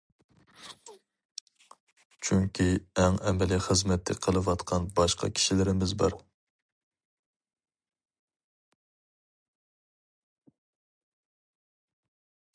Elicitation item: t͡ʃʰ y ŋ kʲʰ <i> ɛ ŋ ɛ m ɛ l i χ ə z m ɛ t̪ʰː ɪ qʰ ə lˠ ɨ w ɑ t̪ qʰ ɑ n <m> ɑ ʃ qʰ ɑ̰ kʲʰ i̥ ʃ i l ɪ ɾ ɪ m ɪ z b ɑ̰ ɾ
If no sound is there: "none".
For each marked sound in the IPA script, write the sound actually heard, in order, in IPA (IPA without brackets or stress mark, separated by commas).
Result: i, b